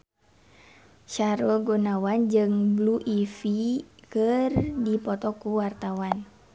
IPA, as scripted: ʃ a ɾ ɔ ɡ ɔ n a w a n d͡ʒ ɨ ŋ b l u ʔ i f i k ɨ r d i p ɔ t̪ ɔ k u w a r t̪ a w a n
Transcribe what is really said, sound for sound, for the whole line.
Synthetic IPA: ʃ a ɾ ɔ ɡ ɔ n a w a n d͡ʒ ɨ ŋ b l u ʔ i f i k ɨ r d i p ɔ t̪ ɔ k u w a r t̪ a w a n